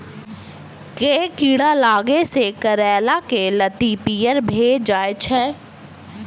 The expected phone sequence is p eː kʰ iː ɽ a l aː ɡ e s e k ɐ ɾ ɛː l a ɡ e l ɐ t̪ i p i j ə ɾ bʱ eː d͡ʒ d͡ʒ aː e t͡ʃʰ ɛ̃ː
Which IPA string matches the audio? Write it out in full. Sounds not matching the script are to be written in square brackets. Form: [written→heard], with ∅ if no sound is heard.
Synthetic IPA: [p→k] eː [kʰ→k] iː ɽ a l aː ɡ e s e k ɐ ɾ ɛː l a [ɡ→k] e l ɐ t̪ i p i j ə ɾ bʱ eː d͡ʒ d͡ʒ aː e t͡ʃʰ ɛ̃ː